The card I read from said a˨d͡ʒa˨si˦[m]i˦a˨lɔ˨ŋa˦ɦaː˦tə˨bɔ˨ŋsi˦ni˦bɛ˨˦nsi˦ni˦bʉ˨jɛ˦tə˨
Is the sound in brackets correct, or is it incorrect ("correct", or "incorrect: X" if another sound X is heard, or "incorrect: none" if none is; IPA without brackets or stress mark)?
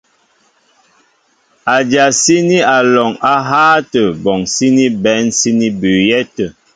incorrect: n